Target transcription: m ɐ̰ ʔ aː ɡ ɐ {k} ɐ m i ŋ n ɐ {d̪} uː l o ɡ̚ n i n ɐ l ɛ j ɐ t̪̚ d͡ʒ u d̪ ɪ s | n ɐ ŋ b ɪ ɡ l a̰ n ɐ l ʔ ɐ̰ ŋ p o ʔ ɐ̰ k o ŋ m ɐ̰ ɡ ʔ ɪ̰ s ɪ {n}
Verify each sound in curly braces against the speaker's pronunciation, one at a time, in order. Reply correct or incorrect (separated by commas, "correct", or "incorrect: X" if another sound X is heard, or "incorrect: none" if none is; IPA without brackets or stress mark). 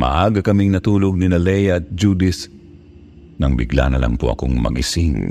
correct, incorrect: t̪, incorrect: ŋ